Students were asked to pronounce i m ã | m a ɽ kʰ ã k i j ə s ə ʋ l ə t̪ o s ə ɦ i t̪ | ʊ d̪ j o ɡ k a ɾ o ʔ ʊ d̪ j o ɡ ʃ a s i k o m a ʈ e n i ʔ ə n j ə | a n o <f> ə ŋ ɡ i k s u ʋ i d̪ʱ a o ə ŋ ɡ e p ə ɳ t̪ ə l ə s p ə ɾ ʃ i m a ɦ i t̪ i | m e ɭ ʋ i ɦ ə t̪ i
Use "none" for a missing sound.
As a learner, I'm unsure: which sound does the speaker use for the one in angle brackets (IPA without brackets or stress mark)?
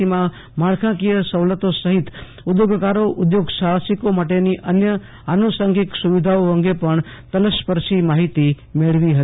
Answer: s